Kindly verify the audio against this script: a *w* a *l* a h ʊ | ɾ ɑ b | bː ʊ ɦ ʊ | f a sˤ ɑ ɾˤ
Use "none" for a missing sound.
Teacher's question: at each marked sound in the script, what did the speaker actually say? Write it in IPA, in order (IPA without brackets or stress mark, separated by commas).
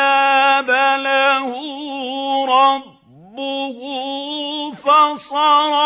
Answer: b, l